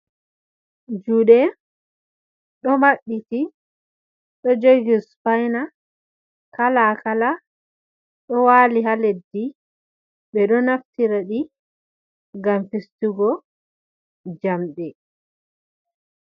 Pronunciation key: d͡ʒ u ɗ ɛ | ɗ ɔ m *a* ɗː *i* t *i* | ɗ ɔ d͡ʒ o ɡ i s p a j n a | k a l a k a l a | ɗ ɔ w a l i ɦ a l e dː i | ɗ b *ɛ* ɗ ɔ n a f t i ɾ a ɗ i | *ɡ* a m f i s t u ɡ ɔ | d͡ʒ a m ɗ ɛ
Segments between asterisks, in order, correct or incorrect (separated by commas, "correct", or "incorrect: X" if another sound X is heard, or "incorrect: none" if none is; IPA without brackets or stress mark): correct, correct, correct, correct, correct